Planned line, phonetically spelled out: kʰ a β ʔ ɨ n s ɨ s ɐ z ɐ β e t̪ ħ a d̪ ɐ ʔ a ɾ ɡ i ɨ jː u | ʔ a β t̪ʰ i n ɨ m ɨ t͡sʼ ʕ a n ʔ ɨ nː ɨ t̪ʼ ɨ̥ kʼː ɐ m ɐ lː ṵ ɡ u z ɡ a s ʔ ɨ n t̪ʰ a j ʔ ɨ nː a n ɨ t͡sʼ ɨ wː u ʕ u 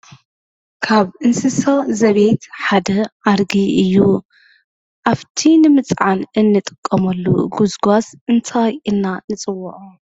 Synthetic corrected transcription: kʰ a β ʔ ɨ n s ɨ s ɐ z ɐ β e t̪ ħ a d̪ ɐ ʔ a ɾ ɡ i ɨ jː u | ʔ a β t̪ʰ i n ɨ m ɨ t͡sʼ ʕ a n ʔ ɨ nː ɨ t̪ʼ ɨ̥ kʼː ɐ m ɐ lː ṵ ɡ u z ɡ a s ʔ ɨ n t̪ʰ a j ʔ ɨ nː a n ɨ t͡sʼ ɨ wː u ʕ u